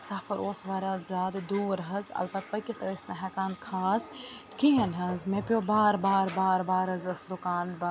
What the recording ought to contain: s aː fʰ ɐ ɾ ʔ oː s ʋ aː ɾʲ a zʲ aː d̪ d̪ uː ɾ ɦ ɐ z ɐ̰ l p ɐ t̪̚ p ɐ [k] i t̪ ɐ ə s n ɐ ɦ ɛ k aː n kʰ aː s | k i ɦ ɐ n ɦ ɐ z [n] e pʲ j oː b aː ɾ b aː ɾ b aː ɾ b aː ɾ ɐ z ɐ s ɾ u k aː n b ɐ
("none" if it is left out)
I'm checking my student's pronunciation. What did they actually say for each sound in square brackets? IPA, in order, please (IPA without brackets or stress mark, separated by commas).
k, m